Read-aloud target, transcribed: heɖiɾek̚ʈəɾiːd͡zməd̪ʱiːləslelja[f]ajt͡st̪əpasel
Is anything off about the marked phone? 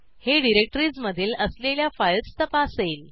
no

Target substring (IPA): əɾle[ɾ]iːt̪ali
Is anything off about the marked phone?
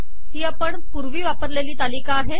yes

